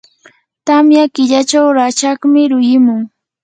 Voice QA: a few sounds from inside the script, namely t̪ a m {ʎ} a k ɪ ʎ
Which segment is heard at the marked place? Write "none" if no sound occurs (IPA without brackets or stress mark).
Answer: j